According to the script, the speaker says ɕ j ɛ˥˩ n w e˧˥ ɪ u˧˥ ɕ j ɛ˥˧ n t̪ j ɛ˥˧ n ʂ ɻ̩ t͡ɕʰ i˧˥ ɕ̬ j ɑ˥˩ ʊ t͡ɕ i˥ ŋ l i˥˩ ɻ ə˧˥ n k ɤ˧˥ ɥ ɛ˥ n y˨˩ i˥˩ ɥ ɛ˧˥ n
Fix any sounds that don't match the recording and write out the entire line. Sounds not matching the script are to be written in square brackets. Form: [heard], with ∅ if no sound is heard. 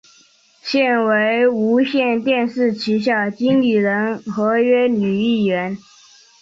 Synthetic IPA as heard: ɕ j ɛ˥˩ n w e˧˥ ɪ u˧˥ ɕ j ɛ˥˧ n t̪ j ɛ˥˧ n ʂ ɻ̩ t͡ɕʰ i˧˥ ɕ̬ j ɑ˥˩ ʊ t͡ɕ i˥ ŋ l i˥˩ ɻ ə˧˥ n [x] ɤ˧˥ ɥ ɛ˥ n y˨˩ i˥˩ ɥ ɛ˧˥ n